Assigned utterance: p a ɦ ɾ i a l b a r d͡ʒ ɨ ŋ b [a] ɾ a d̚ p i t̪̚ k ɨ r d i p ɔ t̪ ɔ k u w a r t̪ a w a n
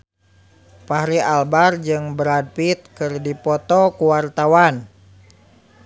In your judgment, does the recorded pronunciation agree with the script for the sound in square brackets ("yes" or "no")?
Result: no